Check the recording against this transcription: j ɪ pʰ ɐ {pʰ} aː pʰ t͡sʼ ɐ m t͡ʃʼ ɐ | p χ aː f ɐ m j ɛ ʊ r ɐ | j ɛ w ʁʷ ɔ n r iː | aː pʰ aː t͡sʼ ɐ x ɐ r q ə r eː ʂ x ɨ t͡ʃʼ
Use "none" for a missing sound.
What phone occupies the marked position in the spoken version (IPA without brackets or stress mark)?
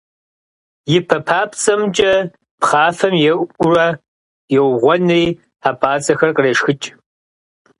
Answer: pʰ